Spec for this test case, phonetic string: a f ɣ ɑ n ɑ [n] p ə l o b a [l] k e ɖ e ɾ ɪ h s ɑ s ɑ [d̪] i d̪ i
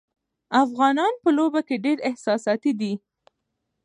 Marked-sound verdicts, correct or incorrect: correct, incorrect: none, incorrect: t̪

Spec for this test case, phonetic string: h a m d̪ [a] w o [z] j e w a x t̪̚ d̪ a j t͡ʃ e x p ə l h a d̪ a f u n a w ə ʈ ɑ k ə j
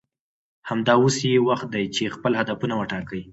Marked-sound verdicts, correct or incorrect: incorrect: ɑ, incorrect: s

